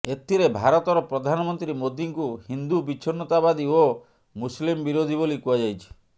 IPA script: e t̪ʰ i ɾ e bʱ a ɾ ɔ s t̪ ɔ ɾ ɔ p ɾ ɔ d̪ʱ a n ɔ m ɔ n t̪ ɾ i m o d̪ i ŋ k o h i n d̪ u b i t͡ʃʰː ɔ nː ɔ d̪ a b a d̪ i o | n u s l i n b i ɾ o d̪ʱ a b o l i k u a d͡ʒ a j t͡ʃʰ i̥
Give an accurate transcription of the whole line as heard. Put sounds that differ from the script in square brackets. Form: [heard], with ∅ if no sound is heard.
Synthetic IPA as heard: e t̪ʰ i ɾ e bʱ a ɾ ɔ [∅] t̪ ɔ ɾ ɔ p ɾ ɔ d̪ʱ a n ɔ m ɔ n t̪ ɾ i m o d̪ i ŋ k [u] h i n d̪ u b i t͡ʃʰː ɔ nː ɔ [t̪] a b a d̪ i o | [m] u s l i [m] b i ɾ o d̪ʱ [i] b o l i k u a d͡ʒ a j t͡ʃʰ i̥